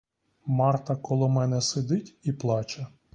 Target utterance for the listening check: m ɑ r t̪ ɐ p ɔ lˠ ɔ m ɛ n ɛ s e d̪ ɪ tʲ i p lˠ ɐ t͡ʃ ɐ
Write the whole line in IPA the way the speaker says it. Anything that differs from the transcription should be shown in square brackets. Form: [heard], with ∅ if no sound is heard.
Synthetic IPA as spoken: m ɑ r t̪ ɐ [k] ɔ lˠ ɔ m ɛ n ɛ s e d̪ ɪ tʲ i p lˠ [ɑ] t͡ʃ ɐ